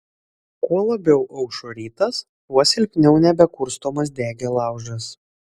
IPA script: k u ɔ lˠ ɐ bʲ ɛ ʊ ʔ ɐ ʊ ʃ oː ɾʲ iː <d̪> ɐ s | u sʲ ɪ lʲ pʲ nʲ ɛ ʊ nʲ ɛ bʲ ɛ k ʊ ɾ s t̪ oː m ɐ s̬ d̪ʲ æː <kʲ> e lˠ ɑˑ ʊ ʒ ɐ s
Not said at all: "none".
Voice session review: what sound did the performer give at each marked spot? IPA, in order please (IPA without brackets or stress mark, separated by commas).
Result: t̪, ɡʲ